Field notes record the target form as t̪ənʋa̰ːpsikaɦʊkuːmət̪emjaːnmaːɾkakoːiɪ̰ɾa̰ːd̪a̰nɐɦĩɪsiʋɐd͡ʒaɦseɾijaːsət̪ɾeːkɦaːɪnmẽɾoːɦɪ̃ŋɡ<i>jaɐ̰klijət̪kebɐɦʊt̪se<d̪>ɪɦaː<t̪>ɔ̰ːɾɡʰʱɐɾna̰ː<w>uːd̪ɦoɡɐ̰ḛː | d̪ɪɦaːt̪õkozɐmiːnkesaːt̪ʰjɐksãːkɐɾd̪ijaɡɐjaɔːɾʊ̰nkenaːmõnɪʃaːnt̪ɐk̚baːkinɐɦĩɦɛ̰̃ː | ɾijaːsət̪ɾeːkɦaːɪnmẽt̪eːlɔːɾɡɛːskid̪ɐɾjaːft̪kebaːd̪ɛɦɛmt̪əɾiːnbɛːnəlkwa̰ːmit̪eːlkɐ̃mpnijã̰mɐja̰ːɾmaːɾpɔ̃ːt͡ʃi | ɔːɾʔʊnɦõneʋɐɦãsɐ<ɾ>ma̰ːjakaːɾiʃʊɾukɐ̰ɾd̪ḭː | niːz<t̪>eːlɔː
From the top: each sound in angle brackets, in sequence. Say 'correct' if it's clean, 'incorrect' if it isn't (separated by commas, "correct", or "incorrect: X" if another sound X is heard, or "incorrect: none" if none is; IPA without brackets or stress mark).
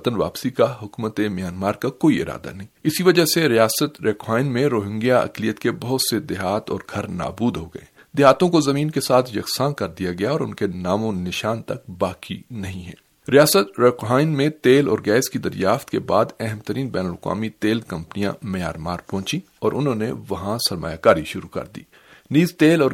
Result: correct, correct, correct, incorrect: b, correct, correct